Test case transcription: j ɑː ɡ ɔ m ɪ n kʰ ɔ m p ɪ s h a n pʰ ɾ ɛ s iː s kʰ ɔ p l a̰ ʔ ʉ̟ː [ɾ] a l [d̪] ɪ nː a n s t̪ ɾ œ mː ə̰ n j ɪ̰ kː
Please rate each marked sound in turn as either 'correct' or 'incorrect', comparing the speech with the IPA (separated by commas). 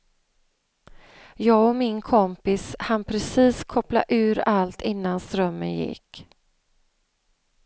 correct, incorrect